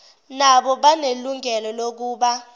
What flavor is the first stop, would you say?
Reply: implosive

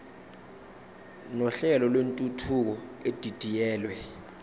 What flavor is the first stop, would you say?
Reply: ejective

